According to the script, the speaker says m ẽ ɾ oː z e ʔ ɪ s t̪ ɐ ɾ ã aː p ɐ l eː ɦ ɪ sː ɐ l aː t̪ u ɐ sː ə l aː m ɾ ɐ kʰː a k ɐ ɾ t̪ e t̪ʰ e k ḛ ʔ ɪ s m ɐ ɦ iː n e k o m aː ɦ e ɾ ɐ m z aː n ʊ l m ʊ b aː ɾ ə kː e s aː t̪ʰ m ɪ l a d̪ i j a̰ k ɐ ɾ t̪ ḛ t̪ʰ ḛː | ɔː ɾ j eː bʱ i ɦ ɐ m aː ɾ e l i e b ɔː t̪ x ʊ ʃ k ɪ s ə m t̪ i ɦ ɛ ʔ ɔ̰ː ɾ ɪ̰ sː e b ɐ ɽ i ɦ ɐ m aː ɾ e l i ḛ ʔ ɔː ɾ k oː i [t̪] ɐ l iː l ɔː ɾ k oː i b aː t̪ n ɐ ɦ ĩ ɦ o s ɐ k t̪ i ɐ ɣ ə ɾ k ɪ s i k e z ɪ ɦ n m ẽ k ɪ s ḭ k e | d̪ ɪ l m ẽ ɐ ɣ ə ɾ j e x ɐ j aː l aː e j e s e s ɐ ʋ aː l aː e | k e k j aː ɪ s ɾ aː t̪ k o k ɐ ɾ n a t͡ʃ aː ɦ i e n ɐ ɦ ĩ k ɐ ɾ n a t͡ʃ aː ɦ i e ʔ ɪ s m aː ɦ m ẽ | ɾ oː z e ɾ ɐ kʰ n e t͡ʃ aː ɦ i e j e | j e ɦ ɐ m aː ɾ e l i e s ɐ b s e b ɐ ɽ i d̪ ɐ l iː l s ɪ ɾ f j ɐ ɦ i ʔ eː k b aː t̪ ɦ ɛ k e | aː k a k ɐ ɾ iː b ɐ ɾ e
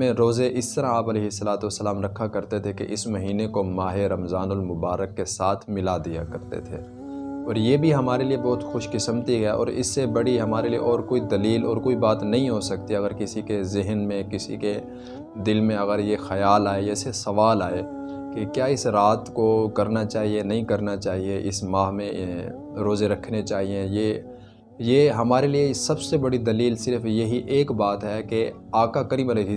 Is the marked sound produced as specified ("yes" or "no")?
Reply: no